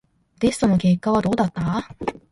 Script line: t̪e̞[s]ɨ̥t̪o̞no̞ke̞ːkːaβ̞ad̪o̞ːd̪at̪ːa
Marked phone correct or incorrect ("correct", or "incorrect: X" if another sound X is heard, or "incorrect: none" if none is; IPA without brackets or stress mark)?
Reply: correct